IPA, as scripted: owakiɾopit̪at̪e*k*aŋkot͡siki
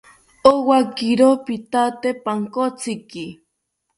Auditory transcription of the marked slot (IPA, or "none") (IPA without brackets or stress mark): p